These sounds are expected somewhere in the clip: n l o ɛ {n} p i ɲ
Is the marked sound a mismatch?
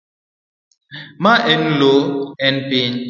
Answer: no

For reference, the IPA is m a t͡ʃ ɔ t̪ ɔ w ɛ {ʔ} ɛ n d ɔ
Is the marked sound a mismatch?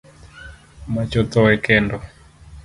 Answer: yes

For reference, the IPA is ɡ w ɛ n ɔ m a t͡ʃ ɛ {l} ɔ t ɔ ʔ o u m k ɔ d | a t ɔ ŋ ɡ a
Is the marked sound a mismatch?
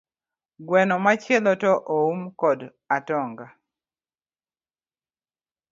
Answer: no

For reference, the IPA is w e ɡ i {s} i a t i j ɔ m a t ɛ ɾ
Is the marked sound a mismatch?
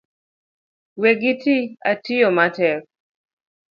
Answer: yes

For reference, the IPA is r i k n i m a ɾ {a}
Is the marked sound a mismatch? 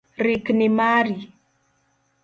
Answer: yes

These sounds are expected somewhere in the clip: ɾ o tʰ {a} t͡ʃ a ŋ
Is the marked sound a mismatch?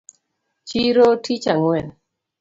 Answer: yes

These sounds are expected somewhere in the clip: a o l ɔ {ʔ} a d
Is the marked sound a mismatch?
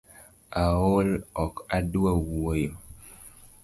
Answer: yes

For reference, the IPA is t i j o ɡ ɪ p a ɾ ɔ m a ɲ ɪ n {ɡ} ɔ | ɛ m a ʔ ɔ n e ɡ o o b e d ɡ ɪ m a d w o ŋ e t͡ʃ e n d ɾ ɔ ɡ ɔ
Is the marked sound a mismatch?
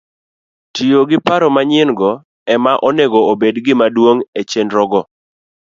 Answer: no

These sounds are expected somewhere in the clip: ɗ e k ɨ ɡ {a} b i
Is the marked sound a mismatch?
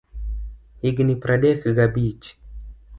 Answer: no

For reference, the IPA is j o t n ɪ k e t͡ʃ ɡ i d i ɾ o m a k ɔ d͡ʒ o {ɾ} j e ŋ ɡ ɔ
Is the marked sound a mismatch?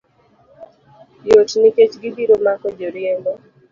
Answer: no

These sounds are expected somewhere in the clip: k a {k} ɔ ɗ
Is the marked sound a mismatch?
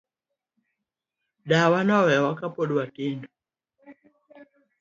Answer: yes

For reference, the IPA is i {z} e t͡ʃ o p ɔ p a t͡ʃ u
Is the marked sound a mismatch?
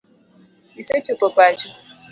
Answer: yes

